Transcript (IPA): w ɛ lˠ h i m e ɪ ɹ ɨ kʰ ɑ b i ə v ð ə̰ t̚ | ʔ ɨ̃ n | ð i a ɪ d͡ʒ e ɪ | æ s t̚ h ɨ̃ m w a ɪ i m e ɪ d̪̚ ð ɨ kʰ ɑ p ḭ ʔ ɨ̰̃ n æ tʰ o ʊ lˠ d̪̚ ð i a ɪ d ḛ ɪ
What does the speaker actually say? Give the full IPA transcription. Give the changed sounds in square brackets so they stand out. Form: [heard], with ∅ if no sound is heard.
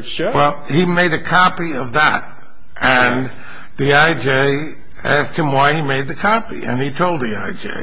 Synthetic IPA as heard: w ɛ lˠ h i m e ɪ [ɾ] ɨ kʰ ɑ [p] i [ʌ] v ð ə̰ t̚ | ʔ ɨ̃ n | ð i a ɪ d͡ʒ e ɪ | æ s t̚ h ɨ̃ m w a ɪ i m e ɪ d̪̚ ð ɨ kʰ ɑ p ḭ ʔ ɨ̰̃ n [i] tʰ o ʊ lˠ d̪̚ ð i a ɪ [d͡ʒ] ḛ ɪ